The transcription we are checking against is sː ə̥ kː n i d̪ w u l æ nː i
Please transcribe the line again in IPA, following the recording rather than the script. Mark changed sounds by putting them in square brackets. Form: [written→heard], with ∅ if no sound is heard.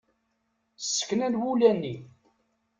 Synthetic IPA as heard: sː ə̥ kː n [i→æ] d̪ w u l æ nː i